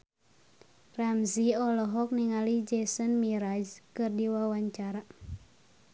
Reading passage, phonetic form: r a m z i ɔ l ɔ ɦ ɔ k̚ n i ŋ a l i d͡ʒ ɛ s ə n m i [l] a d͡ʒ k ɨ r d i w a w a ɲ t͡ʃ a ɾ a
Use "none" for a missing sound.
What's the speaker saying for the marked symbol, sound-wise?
ɾ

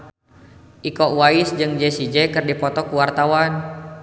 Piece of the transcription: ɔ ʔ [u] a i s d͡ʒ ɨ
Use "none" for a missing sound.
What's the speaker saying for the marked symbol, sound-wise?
w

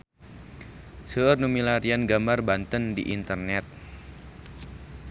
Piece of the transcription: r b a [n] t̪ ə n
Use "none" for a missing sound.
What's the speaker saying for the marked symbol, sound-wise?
n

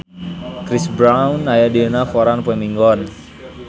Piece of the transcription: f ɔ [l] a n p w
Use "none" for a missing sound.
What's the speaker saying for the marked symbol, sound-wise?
ɾ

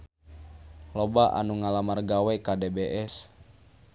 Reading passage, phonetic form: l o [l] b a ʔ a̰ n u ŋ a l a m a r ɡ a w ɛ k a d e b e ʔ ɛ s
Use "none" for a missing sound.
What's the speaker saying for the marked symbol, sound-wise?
none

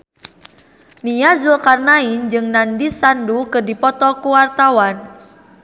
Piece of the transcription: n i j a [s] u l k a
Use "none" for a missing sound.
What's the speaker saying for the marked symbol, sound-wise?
z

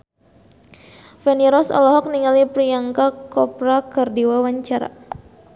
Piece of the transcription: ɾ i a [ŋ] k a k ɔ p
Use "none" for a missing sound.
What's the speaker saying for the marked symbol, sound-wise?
ŋ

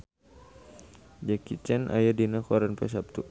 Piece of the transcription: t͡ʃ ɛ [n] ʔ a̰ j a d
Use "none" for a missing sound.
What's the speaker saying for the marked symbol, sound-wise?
n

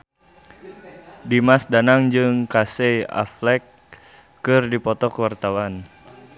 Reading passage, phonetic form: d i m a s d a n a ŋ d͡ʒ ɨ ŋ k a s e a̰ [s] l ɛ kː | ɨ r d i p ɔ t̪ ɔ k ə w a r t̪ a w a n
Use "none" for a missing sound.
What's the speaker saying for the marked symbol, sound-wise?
f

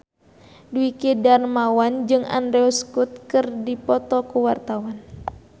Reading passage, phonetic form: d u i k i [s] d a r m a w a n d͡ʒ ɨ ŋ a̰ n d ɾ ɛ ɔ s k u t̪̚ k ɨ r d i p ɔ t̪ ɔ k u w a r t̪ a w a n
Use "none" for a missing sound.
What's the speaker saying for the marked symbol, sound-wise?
none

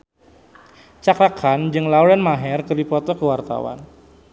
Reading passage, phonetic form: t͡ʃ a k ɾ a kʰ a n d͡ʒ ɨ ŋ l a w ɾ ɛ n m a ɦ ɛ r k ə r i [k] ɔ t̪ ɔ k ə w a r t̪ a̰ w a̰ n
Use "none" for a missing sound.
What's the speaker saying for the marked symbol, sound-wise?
p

